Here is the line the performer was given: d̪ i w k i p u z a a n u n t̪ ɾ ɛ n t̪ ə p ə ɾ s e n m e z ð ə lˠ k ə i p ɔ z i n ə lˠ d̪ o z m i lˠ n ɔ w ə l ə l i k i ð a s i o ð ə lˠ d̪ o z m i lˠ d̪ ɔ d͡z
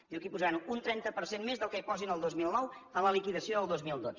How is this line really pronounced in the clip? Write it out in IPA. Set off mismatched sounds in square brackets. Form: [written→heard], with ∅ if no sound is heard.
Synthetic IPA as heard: d̪ i w k i p u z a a n u n t̪ ɾ ɛ n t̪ ə p ə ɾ s e n m e z ð ə lˠ k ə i p ɔ z i n ə lˠ d̪ o z m i lˠ n ɔ w ə l ə l i k i ð [a→ə] s i o ð ə lˠ d̪ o z m i lˠ d̪ [ɔ→o] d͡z